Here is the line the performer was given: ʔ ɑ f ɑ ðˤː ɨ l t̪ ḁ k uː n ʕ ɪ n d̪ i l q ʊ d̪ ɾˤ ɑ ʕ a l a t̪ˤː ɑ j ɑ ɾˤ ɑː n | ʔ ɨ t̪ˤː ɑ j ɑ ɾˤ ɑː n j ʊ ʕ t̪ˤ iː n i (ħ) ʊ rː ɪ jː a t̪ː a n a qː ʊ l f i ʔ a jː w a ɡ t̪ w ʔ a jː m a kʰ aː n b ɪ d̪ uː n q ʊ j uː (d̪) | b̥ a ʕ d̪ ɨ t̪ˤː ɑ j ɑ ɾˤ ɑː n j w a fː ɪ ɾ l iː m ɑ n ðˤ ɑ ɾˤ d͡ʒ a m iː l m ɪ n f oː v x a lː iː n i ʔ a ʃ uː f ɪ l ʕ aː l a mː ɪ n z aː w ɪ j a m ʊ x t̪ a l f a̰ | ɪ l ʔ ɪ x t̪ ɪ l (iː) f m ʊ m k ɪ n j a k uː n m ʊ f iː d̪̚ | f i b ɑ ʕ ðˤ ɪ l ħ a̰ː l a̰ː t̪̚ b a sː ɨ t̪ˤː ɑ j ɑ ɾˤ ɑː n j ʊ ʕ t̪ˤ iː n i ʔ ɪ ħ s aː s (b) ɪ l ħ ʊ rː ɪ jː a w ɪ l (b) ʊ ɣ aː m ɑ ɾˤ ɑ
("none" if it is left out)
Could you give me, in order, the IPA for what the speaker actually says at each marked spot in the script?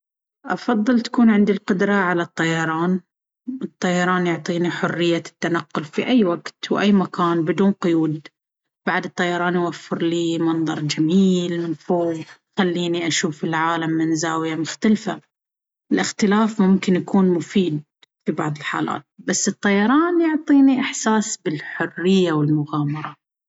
ħ, d̪, aː, b, m

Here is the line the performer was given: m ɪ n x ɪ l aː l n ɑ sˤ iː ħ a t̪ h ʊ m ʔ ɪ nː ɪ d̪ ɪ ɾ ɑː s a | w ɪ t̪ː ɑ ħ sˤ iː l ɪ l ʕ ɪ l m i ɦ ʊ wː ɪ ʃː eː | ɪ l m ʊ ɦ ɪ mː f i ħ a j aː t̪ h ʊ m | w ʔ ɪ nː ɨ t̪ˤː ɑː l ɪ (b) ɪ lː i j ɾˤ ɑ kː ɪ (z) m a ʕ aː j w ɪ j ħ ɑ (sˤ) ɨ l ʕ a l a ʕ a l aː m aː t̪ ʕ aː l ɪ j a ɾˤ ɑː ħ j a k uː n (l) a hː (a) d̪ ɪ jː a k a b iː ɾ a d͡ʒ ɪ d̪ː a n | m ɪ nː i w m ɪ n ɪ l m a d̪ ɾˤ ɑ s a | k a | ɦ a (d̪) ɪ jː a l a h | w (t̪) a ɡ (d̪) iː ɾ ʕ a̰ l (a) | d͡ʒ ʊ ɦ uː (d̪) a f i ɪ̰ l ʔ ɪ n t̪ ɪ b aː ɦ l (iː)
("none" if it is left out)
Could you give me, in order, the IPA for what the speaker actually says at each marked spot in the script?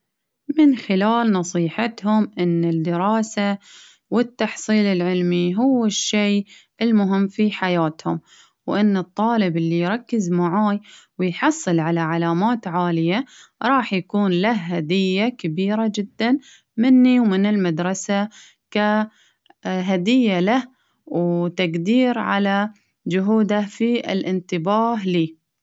b, z, sˤː, l, a, d̪, t̪, d̪, a, d̪, iː

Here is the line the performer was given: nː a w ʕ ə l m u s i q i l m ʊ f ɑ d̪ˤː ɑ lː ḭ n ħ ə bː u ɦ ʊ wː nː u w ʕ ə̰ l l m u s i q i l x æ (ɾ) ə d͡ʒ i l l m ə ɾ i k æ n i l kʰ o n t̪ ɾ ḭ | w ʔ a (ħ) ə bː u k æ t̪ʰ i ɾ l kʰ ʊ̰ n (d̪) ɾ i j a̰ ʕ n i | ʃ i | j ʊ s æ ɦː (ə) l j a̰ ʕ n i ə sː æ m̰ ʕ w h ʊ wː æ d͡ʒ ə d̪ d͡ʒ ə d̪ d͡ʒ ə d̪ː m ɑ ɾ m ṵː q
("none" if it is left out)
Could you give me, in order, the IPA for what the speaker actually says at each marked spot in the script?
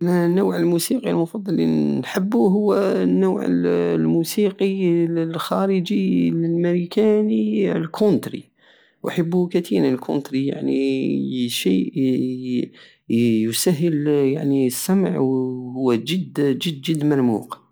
ɾ, ħ, t̪, ə

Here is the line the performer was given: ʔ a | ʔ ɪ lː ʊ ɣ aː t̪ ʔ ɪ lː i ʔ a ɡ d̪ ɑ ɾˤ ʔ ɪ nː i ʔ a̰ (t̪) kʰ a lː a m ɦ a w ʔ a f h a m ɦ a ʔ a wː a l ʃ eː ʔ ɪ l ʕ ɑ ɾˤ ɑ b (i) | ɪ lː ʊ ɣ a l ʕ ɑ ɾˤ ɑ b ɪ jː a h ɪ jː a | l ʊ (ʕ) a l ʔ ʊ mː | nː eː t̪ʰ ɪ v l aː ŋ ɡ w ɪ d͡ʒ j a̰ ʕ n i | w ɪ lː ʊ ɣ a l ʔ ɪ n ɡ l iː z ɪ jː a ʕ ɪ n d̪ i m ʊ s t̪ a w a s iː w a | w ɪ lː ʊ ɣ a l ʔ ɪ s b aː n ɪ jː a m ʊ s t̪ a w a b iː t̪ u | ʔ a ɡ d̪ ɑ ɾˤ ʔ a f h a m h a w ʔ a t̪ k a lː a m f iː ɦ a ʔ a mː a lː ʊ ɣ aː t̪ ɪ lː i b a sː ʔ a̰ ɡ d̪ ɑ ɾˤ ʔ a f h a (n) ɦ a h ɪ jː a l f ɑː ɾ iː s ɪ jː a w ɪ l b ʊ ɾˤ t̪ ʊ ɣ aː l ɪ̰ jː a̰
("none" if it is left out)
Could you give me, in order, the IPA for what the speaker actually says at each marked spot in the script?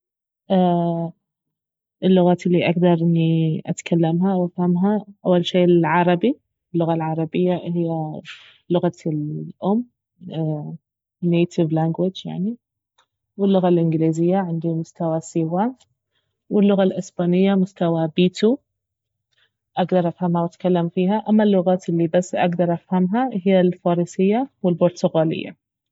t̪, i, ɣ, m

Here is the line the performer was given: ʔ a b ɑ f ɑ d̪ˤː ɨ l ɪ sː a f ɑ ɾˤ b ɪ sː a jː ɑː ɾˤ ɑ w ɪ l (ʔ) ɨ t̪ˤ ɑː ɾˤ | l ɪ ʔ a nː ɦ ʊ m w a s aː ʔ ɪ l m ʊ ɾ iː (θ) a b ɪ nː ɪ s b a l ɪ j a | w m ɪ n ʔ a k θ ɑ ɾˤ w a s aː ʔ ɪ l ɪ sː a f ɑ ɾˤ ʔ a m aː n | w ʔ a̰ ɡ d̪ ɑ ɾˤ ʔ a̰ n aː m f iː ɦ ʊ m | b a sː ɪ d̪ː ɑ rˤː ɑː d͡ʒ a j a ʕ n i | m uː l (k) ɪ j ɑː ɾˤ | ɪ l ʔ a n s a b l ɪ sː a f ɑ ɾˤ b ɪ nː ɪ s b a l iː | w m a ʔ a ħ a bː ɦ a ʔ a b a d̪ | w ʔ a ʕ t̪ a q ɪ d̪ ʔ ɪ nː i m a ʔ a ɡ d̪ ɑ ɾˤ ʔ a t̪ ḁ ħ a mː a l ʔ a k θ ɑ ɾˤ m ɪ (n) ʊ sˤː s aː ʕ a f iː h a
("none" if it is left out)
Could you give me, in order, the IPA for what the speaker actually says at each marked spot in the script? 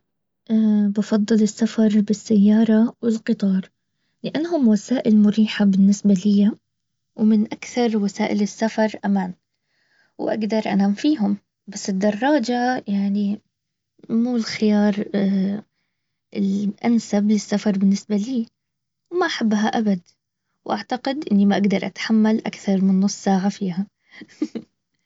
q, ħ, x, nː

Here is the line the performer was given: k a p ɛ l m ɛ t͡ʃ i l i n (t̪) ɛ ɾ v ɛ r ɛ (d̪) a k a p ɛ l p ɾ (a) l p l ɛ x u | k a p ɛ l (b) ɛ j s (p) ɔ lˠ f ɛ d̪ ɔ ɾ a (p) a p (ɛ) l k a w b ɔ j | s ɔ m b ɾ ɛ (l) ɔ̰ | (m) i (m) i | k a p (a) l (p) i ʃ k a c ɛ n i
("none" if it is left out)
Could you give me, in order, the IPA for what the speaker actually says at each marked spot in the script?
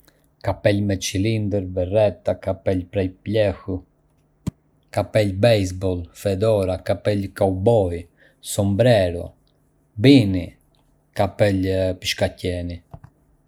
d̪, t̪, ɛ, b, b, k, ɛ, ɾ, b, n, ɛ, p

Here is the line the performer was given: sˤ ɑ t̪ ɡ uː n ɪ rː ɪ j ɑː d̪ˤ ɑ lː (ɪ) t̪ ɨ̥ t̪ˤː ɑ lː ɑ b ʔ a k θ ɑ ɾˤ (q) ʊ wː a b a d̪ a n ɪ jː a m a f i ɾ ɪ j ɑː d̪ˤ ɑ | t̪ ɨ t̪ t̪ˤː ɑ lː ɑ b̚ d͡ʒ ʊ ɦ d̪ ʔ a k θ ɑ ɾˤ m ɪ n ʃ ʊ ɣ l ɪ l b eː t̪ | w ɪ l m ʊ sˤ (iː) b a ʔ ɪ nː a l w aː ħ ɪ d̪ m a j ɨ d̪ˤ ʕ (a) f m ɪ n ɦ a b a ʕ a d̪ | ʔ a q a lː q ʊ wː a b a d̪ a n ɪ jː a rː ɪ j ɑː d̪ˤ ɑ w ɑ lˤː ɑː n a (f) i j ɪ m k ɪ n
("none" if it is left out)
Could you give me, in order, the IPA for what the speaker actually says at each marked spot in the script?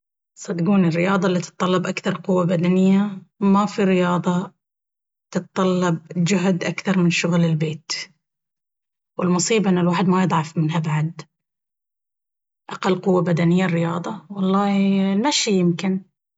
i, q, iː, ɑ, ʃ

